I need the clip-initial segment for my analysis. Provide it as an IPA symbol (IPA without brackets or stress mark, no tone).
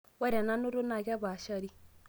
w